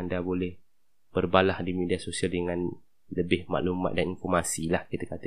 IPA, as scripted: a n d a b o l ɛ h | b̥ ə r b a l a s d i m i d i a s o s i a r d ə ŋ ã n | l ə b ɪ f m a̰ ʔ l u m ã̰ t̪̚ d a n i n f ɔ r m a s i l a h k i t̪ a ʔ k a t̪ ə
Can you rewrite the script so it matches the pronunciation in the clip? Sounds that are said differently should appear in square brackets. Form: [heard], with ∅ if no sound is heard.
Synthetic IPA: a n d a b o l ɛ h | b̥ ə r b a l a [h] d i m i d i a s o s i a [l] d ə ŋ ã n | l ə b ɪ [h] m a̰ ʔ l u m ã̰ t̪̚ d a n i n f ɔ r m a s i l a h k i t̪ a [∅] k a t̪ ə